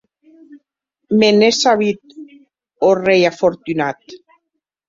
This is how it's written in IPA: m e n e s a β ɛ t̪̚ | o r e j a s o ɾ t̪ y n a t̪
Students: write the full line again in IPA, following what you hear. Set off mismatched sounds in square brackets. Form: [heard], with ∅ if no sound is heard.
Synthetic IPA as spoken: m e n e s a β [i] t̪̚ | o r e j a [f] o ɾ t̪ y n a t̪